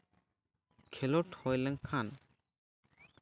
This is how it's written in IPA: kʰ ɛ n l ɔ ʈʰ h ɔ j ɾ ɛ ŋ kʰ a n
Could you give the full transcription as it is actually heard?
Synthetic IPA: kʰ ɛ l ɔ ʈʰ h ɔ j l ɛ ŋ kʰ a n